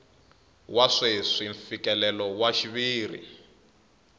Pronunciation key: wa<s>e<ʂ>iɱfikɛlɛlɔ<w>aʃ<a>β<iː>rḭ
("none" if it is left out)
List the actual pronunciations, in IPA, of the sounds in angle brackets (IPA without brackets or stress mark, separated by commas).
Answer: ʂ, ʂ, w, i, iː